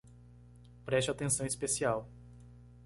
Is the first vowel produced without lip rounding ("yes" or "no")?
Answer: yes